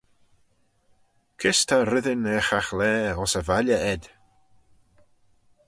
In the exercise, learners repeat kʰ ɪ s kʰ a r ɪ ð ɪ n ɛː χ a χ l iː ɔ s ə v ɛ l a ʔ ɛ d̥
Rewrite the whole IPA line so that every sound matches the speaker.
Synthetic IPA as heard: kʰ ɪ s tʰ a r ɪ ð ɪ n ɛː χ a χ l ɛː ɔ s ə v a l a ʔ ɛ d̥

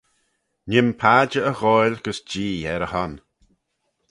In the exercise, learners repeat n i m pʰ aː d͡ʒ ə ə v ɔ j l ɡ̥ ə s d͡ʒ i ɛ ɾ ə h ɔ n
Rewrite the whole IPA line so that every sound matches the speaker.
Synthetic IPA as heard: n ɪ m pʰ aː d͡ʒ ə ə ɣ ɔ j l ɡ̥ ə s d͡ʒ iː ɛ ɾ ə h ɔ n

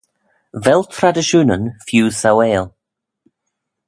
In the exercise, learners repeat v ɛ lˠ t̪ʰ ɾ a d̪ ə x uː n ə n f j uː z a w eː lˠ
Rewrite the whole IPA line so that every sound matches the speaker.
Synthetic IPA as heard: v ɛ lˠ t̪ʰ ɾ a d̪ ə ʃ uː n ə n f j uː s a w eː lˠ

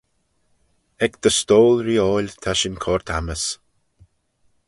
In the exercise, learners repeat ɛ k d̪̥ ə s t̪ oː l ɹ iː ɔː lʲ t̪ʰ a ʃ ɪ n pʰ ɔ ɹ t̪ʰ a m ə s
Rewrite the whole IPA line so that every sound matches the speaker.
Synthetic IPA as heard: ɛ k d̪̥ ə s t̪ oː l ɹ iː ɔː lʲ t̪ʰ a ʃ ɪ n kʰ ɔ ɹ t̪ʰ a m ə s

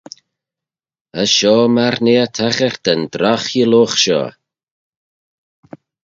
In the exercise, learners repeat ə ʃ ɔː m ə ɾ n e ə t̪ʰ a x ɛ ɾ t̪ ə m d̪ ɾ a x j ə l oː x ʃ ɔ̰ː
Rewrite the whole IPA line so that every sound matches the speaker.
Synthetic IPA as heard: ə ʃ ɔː m a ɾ n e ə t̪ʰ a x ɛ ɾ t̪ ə n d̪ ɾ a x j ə l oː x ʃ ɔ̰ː

